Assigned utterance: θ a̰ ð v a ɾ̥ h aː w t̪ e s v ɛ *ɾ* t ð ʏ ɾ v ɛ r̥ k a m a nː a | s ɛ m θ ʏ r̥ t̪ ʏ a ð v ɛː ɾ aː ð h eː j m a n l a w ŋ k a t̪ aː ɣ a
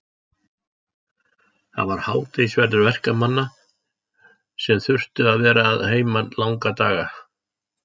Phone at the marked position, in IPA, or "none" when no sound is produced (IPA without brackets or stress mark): ɾ